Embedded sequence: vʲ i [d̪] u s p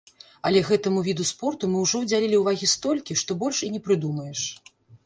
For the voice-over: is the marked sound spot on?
yes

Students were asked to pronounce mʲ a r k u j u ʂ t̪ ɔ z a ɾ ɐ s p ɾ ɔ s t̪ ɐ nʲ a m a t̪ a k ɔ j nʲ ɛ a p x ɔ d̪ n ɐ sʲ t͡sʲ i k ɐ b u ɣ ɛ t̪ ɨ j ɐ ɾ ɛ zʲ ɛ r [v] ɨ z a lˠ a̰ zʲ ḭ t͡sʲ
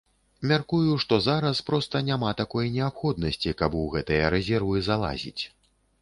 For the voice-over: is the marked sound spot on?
yes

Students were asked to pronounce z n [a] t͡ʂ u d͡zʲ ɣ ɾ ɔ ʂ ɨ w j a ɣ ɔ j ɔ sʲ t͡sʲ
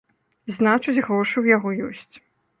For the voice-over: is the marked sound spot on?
yes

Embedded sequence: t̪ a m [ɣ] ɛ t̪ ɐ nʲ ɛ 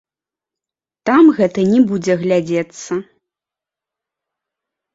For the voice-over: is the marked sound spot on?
yes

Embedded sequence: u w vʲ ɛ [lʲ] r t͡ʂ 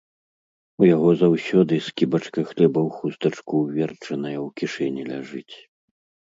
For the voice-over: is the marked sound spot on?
no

